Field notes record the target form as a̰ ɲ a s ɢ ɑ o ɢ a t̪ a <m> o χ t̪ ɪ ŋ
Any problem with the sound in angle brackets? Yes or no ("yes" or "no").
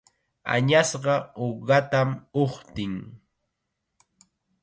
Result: no